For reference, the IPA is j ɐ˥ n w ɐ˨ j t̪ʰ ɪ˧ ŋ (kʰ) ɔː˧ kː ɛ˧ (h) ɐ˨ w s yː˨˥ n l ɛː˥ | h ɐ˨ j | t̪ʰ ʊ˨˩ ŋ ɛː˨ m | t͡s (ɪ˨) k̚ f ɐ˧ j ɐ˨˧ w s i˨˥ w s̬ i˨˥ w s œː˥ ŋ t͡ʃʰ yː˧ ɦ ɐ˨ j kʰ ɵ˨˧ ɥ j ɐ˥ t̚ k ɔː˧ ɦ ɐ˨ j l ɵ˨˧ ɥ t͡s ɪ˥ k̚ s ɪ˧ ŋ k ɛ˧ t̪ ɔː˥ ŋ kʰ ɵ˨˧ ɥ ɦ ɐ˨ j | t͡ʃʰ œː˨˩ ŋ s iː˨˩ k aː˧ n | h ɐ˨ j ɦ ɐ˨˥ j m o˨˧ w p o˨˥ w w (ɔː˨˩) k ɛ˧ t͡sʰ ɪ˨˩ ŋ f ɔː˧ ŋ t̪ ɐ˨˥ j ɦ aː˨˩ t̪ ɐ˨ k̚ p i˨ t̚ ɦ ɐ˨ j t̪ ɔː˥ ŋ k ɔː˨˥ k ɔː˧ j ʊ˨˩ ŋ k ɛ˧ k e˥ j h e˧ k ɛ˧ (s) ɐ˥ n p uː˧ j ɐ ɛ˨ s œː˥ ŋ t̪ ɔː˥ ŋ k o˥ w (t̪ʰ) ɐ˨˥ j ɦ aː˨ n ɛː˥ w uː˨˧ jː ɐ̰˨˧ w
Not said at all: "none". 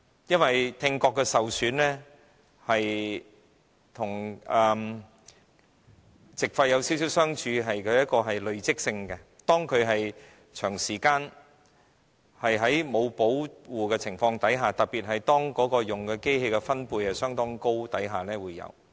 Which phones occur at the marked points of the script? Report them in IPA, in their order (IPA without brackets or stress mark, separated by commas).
k, s, ɪ˨, uː˨˩, f, t̪